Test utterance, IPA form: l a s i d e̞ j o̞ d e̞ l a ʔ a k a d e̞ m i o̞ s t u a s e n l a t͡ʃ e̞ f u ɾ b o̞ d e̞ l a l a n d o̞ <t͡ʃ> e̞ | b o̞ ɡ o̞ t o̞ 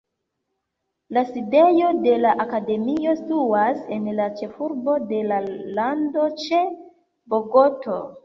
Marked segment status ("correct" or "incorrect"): correct